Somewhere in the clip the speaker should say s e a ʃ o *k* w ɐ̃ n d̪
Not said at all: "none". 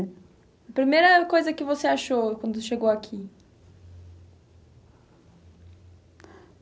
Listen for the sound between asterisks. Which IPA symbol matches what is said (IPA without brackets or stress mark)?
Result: k